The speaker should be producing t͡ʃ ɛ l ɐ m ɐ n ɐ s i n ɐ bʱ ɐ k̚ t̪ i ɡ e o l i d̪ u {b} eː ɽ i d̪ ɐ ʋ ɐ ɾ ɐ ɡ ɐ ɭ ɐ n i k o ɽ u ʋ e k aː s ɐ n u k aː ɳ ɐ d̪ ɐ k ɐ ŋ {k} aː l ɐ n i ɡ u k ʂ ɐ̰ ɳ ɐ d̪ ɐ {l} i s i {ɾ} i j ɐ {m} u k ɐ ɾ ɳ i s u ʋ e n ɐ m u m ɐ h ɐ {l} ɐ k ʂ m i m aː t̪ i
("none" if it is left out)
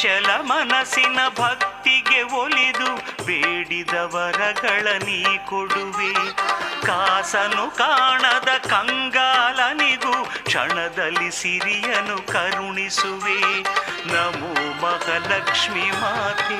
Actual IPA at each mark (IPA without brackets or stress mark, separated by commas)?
b, ɡ, lː, ɾ, n, l